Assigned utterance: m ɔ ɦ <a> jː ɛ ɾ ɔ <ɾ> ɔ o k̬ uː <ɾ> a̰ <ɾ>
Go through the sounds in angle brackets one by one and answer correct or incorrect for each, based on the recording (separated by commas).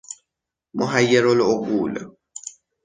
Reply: correct, incorrect, incorrect, incorrect